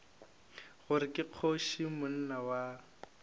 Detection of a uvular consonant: present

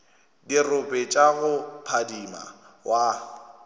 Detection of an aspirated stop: present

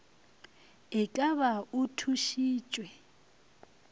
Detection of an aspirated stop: present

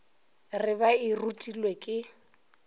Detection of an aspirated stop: absent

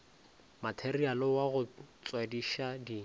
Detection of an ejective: absent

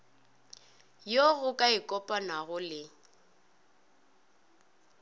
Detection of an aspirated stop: absent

